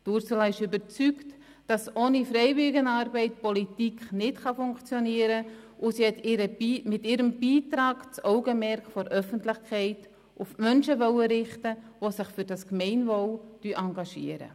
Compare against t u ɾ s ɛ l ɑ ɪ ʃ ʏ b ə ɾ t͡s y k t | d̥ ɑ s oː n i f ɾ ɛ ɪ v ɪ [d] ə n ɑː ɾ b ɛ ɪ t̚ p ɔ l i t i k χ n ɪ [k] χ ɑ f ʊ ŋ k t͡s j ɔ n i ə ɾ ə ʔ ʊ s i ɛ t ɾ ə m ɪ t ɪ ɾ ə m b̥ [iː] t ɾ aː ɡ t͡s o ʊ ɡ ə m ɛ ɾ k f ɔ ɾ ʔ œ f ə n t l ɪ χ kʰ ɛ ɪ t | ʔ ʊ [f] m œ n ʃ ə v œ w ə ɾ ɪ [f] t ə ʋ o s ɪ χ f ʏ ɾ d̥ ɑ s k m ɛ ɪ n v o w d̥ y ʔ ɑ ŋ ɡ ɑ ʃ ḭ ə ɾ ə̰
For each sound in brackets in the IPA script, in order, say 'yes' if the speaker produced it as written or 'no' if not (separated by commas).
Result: no, no, yes, yes, no